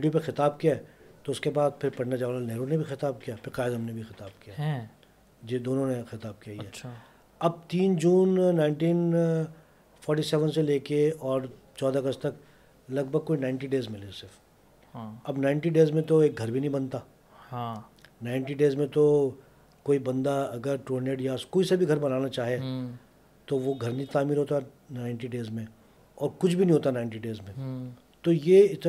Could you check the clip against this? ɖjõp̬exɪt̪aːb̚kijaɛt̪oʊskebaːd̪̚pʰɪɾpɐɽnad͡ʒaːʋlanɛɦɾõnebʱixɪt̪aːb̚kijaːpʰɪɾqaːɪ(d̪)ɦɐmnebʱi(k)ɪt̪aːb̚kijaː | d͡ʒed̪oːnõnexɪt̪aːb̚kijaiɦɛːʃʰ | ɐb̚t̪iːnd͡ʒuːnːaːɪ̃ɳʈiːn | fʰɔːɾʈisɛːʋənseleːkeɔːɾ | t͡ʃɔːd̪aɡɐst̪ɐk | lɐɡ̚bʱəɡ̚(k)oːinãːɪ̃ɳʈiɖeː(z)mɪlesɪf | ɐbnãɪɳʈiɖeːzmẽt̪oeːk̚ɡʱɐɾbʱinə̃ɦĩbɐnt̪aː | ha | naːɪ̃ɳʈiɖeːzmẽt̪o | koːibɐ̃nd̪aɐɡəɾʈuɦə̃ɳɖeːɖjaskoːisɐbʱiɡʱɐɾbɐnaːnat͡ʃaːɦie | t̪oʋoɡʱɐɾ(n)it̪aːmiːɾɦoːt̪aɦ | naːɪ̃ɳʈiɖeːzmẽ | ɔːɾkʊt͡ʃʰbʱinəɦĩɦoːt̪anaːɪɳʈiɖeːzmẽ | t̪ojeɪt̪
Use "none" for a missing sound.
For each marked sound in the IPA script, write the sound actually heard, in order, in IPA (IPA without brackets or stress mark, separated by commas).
d̪, x, k, z, n